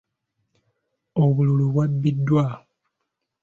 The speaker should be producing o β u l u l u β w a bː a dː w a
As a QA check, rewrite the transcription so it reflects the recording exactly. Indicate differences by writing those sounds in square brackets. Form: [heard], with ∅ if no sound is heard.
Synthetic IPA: o β u l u l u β w a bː [i] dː w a